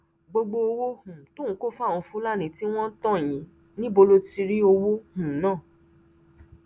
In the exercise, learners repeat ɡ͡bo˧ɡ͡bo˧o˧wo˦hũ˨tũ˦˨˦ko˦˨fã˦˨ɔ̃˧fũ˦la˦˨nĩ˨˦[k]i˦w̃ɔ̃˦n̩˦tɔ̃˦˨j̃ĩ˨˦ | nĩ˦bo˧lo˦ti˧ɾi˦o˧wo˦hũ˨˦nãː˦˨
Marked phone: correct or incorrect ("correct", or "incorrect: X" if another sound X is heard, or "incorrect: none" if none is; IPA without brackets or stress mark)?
incorrect: t